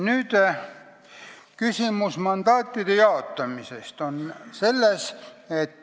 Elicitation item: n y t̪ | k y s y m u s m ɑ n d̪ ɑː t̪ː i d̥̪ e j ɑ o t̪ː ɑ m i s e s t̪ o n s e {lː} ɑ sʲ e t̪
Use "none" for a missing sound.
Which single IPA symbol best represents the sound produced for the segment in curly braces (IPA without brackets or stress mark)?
lː